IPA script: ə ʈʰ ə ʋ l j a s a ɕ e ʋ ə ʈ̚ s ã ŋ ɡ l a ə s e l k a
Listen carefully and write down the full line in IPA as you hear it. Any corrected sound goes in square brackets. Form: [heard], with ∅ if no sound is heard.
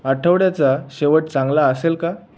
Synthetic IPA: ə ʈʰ ə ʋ [ɽ] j a [t͡s] a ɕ e ʋ ə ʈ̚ [t͡s] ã ŋ ɡ l a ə s e l k a